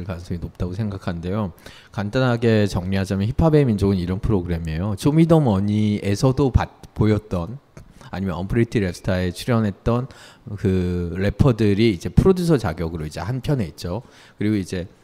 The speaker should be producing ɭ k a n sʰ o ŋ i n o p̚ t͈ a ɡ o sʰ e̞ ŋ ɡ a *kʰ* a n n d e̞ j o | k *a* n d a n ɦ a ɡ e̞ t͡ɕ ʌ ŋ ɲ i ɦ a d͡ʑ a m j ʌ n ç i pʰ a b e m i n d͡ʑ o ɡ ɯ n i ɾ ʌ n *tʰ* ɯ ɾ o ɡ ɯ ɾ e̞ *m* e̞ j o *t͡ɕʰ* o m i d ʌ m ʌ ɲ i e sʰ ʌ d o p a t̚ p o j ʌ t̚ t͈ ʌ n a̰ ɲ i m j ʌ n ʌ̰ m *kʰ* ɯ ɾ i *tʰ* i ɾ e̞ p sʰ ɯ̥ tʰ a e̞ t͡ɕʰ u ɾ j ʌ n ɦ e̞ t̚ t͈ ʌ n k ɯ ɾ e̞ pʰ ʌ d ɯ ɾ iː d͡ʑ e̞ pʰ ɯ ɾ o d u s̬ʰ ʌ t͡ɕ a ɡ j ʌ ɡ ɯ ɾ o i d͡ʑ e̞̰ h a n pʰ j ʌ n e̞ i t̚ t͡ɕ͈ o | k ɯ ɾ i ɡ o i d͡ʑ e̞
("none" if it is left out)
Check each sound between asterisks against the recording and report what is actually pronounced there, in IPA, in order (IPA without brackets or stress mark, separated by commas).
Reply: kʰ, a, pʰ, m, t͡ɕ, pʰ, tʰ